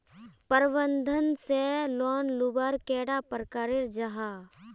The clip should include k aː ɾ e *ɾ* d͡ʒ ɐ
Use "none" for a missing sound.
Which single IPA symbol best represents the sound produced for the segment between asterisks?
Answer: ɾ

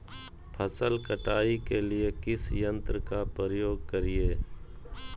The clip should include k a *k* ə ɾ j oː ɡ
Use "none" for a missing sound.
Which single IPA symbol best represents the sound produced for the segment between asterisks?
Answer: p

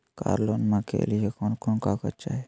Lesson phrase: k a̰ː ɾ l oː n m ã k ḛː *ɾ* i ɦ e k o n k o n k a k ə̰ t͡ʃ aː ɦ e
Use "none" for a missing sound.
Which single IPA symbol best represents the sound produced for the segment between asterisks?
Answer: l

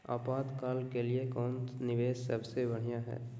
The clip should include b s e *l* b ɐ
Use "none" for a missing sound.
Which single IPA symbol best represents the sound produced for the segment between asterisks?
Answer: none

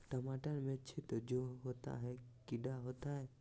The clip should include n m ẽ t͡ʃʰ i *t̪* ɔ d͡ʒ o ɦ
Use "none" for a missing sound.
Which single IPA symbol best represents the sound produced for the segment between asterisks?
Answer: t̪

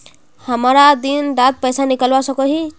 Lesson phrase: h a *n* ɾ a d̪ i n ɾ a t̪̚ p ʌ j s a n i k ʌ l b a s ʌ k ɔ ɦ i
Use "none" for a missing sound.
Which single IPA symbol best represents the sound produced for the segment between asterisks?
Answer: m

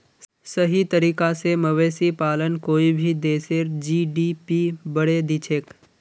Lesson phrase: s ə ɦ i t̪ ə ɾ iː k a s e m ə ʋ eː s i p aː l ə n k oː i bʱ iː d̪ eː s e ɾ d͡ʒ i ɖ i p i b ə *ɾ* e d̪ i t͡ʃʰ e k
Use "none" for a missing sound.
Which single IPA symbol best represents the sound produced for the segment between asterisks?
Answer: ɽ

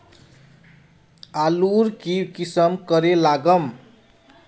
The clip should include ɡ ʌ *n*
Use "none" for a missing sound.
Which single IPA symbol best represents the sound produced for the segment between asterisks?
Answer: m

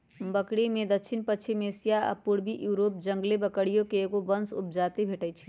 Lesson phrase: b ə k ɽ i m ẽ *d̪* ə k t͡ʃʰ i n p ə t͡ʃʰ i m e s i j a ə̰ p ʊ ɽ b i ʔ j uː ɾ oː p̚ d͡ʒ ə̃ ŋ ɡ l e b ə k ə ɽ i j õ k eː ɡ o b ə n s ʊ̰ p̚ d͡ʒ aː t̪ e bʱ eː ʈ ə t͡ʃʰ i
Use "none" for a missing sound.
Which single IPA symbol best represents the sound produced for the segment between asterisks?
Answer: d̪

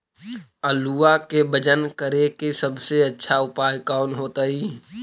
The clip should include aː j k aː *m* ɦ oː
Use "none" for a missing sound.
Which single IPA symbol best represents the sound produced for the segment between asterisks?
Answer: n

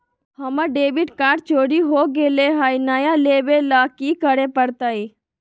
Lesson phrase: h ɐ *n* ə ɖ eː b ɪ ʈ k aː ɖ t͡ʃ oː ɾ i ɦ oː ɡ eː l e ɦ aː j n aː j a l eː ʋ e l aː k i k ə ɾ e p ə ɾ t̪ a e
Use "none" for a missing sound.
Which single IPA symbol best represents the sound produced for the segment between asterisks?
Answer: m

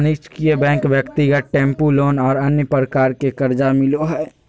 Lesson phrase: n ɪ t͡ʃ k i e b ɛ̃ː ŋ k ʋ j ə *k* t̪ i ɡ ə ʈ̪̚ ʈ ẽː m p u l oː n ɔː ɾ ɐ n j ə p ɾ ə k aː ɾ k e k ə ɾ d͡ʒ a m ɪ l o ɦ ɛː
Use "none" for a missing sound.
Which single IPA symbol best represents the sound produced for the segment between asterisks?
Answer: k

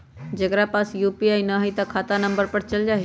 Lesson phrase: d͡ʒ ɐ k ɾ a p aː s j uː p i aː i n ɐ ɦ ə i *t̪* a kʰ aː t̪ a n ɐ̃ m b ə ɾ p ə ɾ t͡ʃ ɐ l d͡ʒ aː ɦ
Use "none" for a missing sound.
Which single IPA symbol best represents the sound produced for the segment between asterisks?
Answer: t̪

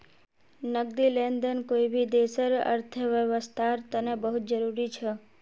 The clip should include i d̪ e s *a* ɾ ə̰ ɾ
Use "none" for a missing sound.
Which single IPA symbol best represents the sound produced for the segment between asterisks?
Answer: ə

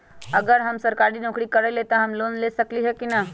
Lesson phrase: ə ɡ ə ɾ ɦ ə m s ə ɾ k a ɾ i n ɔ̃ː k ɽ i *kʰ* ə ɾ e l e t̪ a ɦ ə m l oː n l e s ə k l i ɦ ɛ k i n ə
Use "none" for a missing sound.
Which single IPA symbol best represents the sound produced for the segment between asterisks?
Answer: k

